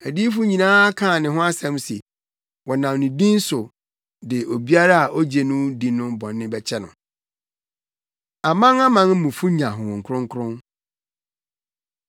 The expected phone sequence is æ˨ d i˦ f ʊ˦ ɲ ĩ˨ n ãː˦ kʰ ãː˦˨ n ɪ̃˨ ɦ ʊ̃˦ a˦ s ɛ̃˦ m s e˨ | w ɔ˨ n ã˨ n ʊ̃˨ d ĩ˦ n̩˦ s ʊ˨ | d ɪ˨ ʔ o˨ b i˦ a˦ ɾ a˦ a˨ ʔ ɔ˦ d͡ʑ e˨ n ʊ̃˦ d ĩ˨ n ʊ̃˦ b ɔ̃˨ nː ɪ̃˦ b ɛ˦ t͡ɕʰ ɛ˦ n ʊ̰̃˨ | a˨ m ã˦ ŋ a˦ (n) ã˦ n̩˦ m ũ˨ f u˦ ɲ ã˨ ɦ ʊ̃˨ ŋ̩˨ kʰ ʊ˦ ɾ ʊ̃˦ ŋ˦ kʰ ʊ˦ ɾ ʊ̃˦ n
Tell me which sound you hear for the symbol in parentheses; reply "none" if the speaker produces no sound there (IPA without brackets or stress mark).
m